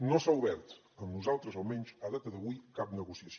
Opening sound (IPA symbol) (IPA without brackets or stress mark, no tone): n